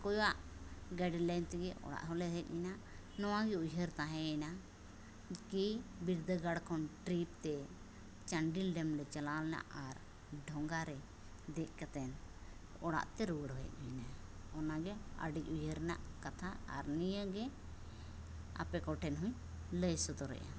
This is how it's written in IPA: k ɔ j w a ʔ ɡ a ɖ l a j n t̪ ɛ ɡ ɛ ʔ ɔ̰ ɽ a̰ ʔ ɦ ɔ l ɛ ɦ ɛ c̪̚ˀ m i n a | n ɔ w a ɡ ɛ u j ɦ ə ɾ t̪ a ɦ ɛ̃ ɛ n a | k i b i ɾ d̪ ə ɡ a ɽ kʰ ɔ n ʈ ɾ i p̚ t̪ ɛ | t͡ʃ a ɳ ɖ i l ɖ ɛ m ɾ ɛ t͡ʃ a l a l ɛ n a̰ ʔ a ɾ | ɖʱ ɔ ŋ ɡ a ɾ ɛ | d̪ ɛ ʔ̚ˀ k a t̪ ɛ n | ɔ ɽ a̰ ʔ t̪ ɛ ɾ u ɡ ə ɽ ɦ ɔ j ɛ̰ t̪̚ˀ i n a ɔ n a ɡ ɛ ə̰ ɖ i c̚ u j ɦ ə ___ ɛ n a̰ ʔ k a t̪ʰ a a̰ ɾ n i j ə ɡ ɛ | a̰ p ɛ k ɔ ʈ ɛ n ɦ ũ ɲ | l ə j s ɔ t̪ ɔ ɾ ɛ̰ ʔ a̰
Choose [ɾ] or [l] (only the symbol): ɾ